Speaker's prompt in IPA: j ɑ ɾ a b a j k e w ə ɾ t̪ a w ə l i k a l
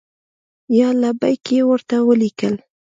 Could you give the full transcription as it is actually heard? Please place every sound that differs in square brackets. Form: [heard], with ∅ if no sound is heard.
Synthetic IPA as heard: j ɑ [l] a b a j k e w ə ɾ t̪ a w ə l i k [ə] l